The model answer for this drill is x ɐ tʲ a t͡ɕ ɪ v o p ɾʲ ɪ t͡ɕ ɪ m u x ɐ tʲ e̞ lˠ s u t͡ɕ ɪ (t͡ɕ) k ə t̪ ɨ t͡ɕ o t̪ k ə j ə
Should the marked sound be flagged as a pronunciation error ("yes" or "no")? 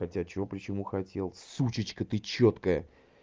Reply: no